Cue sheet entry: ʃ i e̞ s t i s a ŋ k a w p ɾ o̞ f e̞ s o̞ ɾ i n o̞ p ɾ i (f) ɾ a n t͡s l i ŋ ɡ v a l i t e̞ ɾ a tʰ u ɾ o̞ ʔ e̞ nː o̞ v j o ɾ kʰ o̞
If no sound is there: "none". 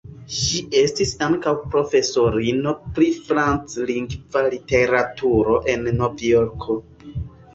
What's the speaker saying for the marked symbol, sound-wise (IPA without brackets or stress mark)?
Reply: f